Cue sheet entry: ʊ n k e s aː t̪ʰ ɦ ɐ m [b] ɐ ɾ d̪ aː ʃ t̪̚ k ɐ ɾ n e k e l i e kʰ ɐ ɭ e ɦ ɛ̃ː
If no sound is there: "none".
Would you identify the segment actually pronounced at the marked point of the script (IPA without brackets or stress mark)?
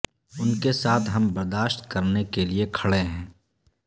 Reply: b